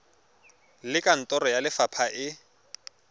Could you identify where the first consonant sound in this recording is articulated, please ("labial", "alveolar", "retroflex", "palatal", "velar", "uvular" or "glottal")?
alveolar